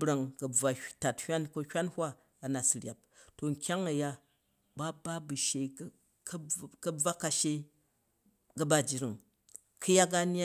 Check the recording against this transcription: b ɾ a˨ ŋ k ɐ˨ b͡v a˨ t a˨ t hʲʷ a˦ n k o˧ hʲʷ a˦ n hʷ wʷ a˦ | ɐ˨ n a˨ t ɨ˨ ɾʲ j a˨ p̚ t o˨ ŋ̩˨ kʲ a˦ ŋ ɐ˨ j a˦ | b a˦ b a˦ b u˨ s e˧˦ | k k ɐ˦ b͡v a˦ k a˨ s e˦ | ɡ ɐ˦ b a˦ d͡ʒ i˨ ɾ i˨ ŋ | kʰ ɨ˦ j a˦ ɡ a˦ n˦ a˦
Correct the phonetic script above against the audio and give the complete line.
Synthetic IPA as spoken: b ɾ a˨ ŋ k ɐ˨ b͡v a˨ t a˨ t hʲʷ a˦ n k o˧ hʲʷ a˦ n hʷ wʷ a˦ | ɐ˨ n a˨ s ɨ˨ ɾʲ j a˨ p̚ t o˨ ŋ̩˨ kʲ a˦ ŋ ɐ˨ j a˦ | b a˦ b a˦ b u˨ ʃ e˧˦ | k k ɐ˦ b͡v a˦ k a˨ ʃ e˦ | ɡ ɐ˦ b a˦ d͡ʒ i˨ ɾ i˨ ŋ | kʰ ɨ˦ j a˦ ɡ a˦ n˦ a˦